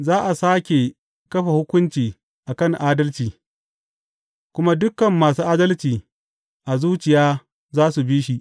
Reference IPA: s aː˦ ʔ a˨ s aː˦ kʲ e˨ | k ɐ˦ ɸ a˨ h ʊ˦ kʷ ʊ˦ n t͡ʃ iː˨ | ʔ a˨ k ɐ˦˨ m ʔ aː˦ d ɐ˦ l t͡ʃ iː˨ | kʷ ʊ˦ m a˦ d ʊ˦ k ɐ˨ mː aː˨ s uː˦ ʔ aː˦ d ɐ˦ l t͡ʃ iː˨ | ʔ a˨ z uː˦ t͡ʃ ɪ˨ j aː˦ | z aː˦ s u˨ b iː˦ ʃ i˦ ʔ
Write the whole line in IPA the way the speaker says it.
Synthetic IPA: z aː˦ ʔ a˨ s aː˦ kʲ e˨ | k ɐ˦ ɸ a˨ h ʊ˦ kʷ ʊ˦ n t͡ʃ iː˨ | ʔ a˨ k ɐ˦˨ ŋ ʔ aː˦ d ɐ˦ l t͡ʃ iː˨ | kʷ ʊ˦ m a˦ d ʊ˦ k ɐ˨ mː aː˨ s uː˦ ʔ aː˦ d ɐ˦ l t͡ʃ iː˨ | ʔ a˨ z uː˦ t͡ʃ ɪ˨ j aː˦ | z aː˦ s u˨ b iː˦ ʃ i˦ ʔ